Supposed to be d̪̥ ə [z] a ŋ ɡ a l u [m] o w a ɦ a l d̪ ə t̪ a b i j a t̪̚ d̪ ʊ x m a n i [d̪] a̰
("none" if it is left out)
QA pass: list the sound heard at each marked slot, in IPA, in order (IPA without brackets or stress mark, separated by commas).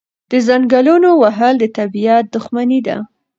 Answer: z, n, d̪